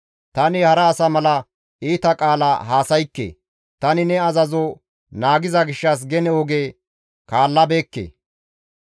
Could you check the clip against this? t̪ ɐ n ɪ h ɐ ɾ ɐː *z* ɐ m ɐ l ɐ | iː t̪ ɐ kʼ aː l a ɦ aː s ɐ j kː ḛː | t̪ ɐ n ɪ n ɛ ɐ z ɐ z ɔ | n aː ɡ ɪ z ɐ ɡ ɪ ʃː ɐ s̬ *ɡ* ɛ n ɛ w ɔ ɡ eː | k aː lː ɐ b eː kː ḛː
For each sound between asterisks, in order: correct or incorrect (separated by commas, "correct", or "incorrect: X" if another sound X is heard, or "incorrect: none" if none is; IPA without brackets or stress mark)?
incorrect: s, correct